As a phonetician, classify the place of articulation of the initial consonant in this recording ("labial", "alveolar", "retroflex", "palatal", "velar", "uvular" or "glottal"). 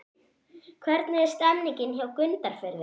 velar